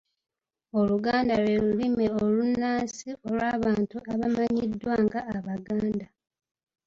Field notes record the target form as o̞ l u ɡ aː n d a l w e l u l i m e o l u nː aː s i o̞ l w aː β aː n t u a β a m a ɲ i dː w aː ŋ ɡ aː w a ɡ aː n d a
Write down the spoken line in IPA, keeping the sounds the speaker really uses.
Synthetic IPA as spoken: o̞ l u ɡ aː n d a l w e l u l i m e o l u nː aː s i o̞ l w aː β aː n t u a β a m a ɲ i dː w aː ŋ ɡ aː β a ɡ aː n d a

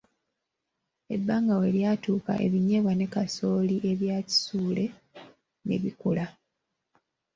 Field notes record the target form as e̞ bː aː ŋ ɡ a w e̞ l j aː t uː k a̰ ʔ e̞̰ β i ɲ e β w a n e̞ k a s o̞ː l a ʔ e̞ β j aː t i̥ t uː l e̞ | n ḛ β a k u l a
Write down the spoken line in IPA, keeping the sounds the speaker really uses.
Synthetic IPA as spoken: e̞ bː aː ŋ ɡ a w e̞ l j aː t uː k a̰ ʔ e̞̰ β i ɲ e β w a n e̞ k a s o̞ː l i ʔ e̞ β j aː c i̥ s uː l e̞ | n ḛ β i k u l a

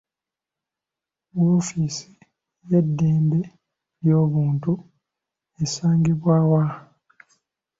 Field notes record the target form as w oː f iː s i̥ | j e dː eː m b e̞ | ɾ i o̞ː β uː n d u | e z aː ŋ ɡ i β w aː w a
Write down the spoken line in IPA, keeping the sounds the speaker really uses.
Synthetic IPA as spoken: w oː f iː s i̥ | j e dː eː m b e̞ | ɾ j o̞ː β uː n t u | e s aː ŋ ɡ i β w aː w a

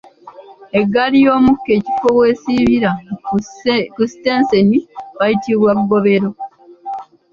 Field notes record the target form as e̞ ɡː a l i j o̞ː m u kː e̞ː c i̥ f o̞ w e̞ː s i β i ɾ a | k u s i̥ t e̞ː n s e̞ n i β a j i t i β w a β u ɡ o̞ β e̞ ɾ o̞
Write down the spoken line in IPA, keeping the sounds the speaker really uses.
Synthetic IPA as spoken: e̞ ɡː a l i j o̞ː m u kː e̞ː c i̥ f o̞ w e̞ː s i β i ɾ a | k u s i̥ t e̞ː n s e̞ n i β a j i t i β w a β u ɡ o̞ β e̞ ɾ o̞

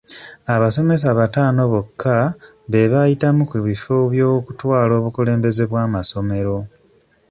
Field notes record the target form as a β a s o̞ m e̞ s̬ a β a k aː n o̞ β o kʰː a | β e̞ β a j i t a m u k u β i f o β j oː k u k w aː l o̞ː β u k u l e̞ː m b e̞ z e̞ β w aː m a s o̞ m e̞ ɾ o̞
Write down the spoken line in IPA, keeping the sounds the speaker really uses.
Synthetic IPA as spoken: a β a s o̞ m e̞ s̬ a β a t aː n o̞ β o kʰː a | β e̞ β a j i t a m u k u β i f o β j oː k u t w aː l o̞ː β u k u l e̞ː m b e̞ z e̞ β w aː m a s o̞ m e̞ ɾ o̞

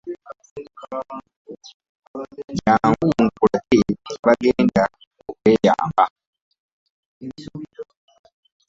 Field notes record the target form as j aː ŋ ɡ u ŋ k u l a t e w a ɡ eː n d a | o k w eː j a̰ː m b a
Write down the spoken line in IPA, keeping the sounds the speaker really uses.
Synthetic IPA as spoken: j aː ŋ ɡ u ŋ k u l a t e β a ɡ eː n d a | o k w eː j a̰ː m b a

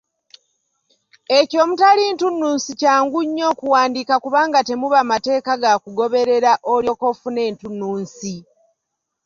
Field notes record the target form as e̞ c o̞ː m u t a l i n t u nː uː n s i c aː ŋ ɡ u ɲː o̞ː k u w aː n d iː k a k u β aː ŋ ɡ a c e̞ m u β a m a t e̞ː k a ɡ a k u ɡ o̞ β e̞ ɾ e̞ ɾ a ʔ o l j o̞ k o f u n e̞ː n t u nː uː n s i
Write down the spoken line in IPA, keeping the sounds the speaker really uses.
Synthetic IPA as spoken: e̞ c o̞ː m u t a l i n t u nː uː n s i c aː ŋ ɡ u ɲː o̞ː k u w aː n d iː k a k u β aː ŋ ɡ a t e̞ m u β a m a t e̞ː k a ɡ a k u ɡ o̞ β e̞ ɾ e̞ ɾ a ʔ o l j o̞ k o f u n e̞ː n t u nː uː n s i

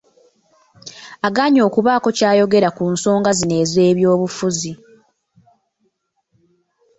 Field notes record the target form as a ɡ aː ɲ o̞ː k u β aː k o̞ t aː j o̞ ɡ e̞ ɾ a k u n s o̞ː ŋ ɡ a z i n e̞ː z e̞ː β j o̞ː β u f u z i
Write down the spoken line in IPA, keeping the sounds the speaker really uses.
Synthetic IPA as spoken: a ɡ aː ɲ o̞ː k u β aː k o̞ c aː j o̞ ɡ e̞ ɾ a k u n s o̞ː ŋ ɡ a z i n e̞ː z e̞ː β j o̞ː β u f u z i

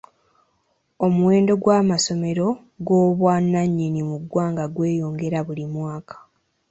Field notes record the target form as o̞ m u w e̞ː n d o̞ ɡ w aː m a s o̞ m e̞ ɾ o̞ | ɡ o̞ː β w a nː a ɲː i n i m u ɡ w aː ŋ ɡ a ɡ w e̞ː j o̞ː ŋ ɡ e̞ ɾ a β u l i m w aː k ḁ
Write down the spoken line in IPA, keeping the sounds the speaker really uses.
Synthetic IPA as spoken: o̞ m u w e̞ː n d o̞ ɡ w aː m a s o̞ m e̞ ɾ o̞ | ɡ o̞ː β w a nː a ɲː i n i m u ɡ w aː ŋ ɡ a ɡ w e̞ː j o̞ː ŋ ɡ e̞ ɾ a β u l i m w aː k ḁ

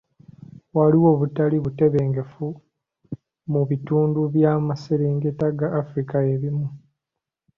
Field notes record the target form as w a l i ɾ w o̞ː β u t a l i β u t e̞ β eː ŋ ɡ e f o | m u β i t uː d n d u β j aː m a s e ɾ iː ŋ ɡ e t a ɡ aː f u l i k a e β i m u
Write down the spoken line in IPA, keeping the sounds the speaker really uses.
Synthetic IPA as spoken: w a l i w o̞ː β u t a l i β u t e̞ β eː ŋ ɡ e f u | m u β i t uː n d u β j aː m a s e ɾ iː ŋ ɡ e t a ɡ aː f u ɾ i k a e β i m u

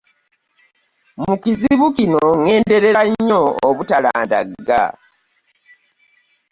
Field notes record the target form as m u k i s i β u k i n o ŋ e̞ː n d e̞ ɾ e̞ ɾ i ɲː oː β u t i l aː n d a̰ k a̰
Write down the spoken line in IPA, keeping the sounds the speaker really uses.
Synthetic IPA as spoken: m u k i z i β u k i n o ŋ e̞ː n d e̞ ɾ e̞ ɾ a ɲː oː β u t a l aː n d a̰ ɡ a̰

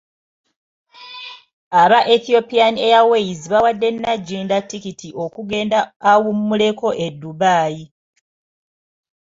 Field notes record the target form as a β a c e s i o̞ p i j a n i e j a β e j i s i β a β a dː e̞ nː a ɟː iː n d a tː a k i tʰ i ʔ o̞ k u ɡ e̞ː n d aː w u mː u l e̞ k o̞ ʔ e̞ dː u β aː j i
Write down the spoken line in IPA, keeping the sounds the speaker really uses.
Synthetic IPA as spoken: a β a ʔ e θ i o̞ p i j a n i e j a w e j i z i β a w a dː e̞ nː a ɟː iː n d a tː i k i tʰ i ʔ o̞ k u ɡ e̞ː n d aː w u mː u l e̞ k o̞ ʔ e̞ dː u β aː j i

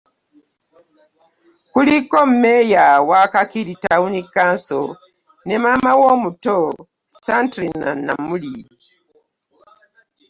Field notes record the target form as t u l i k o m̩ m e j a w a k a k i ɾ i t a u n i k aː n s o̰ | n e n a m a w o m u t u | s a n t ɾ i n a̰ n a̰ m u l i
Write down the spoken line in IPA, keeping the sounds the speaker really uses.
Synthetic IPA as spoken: k u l i k o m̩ m e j a w a k a k i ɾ i t a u n i k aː n s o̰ | n e m a m a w o m u t o | s a n t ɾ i n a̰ n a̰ m u l i

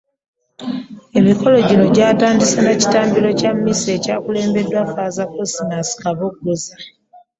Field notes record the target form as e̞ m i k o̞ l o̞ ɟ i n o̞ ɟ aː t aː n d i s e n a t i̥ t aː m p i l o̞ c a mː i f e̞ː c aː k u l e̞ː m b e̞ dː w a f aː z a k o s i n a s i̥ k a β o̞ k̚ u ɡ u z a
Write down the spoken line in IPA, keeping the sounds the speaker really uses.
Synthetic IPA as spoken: e̞ m i k o̞ l o̞ ɟ i n o̞ ɟ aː t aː n d i s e n a c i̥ t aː m b i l o̞ c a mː i s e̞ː c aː k u l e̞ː m b e̞ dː w a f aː z a k o s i n a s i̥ k a β o̞ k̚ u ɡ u z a

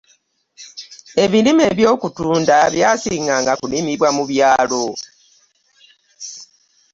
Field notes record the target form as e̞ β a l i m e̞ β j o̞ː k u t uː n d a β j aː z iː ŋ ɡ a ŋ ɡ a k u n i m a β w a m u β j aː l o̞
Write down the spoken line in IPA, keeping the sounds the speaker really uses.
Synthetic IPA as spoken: e̞ β i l i m e̞ β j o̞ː k u t uː n d a β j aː s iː ŋ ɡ a ŋ ɡ a k u n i m i β w a m u β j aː l o̞

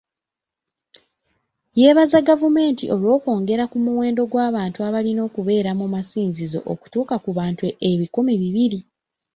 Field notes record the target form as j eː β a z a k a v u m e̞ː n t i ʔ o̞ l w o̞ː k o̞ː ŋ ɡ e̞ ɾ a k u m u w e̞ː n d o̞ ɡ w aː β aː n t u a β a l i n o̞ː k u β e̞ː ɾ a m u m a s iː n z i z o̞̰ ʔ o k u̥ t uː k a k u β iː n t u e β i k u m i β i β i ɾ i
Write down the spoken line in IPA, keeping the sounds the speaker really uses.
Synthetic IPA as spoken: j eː β a z a ɡ a v u m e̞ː n t i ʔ o̞ l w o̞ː k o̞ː ŋ ɡ e̞ ɾ a k u m u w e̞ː n d o̞ ɡ w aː β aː n t u a β a l i n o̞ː k u β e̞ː ɾ a m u m a s iː n z i z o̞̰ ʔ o k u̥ t uː k a k u β aː n t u e β i k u m i β i β i ɾ i

